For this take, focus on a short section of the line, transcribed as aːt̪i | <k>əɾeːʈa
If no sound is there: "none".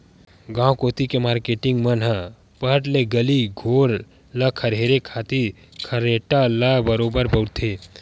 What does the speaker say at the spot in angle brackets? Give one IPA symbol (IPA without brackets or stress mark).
kʰ